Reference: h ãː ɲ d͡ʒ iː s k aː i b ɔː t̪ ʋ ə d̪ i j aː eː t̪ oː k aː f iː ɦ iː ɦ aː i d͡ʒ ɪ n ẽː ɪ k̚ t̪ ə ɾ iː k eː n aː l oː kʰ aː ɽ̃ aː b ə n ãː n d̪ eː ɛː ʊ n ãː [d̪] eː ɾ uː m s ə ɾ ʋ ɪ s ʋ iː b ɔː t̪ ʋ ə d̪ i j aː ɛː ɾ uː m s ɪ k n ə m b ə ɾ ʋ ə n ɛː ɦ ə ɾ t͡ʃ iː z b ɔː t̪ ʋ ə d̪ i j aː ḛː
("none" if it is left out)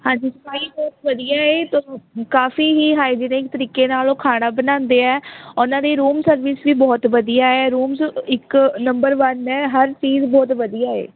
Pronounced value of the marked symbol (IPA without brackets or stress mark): d̪